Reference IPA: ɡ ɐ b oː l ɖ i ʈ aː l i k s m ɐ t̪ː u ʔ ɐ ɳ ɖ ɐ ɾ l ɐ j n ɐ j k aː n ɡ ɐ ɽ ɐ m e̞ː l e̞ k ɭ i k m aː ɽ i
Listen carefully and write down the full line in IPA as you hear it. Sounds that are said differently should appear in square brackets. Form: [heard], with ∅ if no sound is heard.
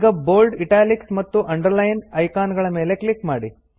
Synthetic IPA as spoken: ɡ ɐ b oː l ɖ i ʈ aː l i k s m ɐ t̪ː u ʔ ɐ ɳ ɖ ɐ ɾ l ɐ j n ɐ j k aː n ɡ ɐ [ɭ] ɐ m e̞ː l e̞ k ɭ i k m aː ɽ i